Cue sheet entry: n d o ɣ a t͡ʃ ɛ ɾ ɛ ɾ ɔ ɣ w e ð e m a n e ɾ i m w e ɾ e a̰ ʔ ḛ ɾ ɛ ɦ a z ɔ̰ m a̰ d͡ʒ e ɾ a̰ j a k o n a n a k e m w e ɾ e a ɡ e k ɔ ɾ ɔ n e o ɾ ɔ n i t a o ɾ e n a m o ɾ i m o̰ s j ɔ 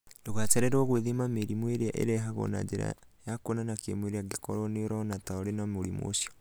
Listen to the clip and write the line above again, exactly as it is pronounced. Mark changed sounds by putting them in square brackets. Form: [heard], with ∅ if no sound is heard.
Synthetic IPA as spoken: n d o ɣ a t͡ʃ ɛ ɾ ɛ ɾ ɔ ɣ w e ð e m a [m] e ɾ i m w e ɾ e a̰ ʔ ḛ ɾ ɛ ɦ a [ɣ] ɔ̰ [n] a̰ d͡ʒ e ɾ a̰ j a k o n a n a k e m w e ɾ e a ɡ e k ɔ ɾ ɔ n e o ɾ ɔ n [a] t a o ɾ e n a m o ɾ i m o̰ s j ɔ